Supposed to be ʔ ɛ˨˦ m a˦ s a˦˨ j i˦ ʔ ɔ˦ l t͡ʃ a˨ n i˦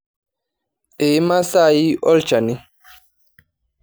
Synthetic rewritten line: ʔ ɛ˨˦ m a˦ s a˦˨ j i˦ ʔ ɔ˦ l t͡ʃ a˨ n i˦